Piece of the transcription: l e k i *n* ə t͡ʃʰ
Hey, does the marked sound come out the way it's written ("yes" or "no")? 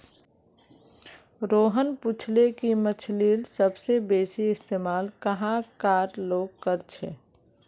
no